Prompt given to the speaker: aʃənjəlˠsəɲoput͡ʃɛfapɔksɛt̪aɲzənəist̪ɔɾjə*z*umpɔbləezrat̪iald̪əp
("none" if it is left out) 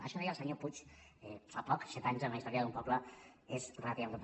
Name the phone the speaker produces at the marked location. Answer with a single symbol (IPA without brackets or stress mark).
ð